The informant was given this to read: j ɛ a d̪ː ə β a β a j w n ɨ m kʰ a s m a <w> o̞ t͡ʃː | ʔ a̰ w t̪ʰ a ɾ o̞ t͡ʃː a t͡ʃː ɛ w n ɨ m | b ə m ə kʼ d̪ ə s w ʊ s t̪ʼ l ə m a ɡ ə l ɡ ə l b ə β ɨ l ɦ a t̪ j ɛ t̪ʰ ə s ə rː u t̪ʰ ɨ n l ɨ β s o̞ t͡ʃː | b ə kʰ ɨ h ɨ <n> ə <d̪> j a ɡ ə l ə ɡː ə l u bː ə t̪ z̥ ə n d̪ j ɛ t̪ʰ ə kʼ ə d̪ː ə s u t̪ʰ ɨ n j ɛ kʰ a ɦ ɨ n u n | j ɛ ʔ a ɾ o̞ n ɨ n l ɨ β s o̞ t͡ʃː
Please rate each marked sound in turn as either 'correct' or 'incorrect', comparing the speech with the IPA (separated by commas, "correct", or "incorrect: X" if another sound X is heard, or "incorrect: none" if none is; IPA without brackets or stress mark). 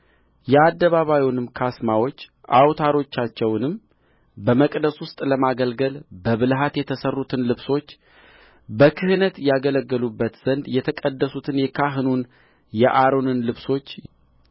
correct, correct, incorrect: t̪